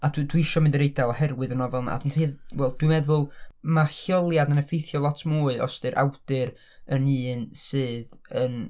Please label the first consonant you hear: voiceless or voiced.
voiced